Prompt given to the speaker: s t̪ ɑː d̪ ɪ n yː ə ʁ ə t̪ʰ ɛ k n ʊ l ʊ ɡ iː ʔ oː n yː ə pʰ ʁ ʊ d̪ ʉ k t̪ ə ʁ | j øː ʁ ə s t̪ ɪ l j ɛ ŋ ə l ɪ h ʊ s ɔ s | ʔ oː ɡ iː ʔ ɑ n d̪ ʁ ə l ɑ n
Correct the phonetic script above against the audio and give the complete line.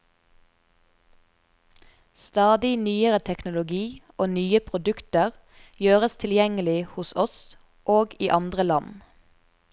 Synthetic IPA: s t̪ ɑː d̪ ɪ n yː ə ʁ ə t̪ʰ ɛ k n ʊ l ʊ ɡ iː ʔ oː n yː ə pʰ ʁ ʊ d̪ ʉ k t̪ ə ʁ | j øː ʁ ə s t̪ʰ ɪ l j ɛ ŋ ə l ɪ h ʊ s ɔ s | ʔ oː ɡ iː ʔ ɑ n d̪ ʁ ə l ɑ n